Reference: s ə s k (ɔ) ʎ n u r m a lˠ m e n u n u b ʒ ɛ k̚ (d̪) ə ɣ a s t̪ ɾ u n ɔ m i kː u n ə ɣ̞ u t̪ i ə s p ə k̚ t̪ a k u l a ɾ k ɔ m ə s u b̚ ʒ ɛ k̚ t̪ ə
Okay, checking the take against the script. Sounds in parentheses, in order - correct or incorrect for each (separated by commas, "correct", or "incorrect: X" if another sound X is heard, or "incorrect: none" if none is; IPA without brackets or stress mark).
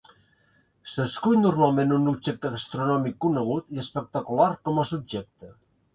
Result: incorrect: u, incorrect: t̪